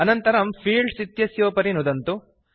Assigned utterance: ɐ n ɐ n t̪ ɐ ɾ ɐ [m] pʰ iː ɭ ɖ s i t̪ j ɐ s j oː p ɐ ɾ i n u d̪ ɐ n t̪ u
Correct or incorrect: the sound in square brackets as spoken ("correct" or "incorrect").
correct